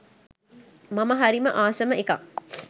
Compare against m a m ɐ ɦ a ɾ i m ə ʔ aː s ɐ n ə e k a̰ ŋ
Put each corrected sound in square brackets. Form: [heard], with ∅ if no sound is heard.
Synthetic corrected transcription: m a m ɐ ɦ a ɾ i m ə ʔ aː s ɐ [m] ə e k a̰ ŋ